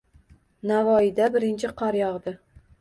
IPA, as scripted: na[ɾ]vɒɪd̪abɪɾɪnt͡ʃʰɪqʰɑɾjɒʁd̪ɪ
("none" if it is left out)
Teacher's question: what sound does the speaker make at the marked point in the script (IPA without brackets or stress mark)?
none